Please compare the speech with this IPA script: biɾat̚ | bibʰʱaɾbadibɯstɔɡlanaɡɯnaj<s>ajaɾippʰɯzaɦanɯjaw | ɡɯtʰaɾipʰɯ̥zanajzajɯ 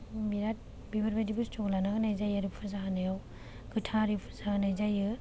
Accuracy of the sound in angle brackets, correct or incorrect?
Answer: incorrect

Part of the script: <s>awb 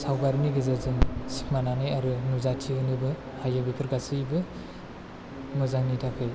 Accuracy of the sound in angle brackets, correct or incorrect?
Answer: correct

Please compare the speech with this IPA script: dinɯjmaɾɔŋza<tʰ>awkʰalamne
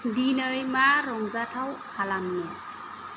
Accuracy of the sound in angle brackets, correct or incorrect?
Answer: correct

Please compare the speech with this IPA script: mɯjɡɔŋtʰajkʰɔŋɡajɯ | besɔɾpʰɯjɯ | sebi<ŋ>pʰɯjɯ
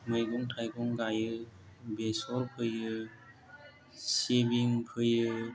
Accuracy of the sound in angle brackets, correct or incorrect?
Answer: correct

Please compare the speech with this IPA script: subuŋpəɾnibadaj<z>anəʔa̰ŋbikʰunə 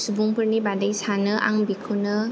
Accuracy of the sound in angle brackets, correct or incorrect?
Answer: incorrect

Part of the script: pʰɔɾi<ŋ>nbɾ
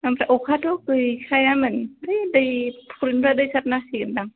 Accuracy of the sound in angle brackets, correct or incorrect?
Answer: incorrect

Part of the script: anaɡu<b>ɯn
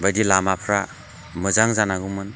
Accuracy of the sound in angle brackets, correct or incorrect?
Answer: incorrect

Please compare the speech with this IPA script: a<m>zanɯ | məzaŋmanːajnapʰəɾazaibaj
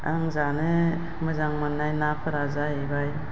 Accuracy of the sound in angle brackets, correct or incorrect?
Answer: incorrect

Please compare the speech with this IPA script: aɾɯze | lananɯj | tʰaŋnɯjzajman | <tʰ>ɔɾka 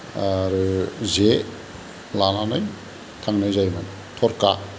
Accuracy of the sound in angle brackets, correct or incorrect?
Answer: correct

